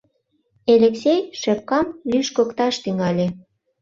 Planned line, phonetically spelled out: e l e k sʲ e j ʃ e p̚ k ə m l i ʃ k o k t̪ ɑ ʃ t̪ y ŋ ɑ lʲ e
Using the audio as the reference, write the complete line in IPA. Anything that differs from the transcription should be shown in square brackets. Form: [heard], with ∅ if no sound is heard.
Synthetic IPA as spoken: e l e k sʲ e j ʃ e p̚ k [ɑ] m l [y] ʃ k o k t̪ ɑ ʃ t̪ y ŋ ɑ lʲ e